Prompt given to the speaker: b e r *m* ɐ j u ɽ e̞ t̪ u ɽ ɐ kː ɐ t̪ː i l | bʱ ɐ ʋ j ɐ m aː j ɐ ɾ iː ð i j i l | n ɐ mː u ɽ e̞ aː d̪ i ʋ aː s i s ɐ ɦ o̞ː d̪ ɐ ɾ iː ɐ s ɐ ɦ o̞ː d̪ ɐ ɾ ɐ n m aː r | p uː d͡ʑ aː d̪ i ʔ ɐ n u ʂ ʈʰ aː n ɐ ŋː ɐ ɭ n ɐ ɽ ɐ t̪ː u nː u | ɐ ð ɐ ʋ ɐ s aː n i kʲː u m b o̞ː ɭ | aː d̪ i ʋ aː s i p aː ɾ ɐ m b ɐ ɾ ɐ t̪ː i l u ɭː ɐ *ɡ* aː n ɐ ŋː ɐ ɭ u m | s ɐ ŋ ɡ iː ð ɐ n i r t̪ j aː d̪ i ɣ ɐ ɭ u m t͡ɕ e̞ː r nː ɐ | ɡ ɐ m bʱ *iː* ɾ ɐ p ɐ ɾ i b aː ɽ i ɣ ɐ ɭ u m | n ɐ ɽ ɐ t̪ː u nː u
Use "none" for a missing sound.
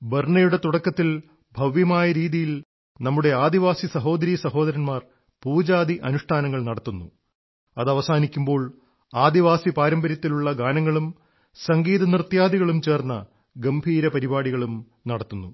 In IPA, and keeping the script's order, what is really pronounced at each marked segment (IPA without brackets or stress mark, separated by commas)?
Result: ɳ, ɡ, iː